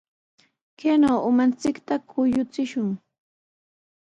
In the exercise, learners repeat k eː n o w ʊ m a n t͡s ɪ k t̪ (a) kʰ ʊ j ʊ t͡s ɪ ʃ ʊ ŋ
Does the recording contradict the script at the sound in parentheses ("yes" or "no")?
no